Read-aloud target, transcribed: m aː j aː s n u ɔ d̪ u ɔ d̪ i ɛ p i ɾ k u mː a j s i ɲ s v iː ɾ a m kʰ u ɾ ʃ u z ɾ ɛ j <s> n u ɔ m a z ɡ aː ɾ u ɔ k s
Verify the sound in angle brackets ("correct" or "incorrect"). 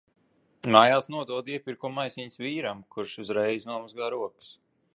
incorrect